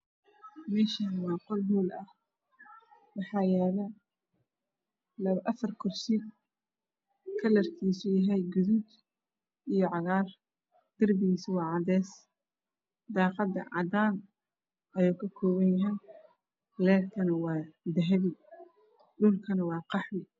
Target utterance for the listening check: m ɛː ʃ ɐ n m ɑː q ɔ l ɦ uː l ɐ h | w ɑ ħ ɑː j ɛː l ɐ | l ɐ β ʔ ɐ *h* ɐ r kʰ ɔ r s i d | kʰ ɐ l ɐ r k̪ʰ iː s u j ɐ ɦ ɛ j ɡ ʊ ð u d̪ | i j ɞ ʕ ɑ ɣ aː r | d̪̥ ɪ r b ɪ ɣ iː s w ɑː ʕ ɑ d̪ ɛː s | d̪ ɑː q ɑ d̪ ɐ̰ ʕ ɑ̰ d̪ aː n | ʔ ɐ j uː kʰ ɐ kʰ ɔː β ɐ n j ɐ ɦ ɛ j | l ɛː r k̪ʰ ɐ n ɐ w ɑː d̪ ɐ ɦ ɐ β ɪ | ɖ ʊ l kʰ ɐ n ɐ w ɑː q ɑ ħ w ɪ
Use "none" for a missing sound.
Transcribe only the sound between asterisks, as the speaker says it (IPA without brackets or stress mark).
f